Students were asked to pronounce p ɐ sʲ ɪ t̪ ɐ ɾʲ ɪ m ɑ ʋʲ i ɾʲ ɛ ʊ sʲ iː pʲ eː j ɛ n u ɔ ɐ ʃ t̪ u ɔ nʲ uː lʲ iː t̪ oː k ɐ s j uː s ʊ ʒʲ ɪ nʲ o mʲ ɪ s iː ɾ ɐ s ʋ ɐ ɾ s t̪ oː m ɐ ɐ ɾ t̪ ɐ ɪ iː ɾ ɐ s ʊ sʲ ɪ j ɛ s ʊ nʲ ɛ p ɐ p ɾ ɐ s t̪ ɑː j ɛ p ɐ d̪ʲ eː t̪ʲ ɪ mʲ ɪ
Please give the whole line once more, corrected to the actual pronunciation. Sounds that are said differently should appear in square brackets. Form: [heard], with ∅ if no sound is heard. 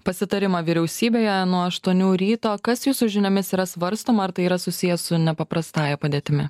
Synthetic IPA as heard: p ɐ sʲ ɪ t̪ ɐ ɾʲ ɪ m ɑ ʋʲ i ɾʲ ɛ ʊ sʲ iː [bʲ] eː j ɛ n u ɔ ɐ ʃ t̪ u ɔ nʲ uː [ɾʲ] iː t̪ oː k ɐ s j uː s ʊ ʒʲ ɪ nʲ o mʲ ɪ s iː ɾ ɐ s ʋ ɐ ɾ s t̪ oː m ɐ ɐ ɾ t̪ ɐ ɪ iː ɾ ɐ s ʊ sʲ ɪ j ɛ s ʊ nʲ ɛ p ɐ p ɾ ɐ s t̪ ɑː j ɛ p ɐ d̪ʲ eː t̪ʲ ɪ mʲ ɪ